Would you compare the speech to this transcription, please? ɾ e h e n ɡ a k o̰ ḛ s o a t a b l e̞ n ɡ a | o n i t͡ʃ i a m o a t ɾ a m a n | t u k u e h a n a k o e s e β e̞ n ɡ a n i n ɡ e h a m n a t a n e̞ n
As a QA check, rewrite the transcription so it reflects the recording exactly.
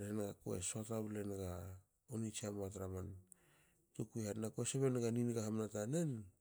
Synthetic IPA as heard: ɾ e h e n ɡ a k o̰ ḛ s o a t a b l e̞ n ɡ a | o n i t͡ʃ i a m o a t ɾ a m a n | t u k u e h a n a k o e s e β e̞ n ɡ a n i n ɡ a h a m n a t a n e̞ n